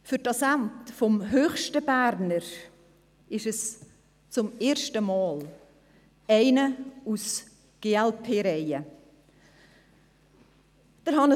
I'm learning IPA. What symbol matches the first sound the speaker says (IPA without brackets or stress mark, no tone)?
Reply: f